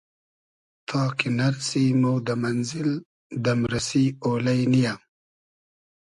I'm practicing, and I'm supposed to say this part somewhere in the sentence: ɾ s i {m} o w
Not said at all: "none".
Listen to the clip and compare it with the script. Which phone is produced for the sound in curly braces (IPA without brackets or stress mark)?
m